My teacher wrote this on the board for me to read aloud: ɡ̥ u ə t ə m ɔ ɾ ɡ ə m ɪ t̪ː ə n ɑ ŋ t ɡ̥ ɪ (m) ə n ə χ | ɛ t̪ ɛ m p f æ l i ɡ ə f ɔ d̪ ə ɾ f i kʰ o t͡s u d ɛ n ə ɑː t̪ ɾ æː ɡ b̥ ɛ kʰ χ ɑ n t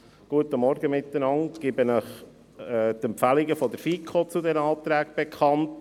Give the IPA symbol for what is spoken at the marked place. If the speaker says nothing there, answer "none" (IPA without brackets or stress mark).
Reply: b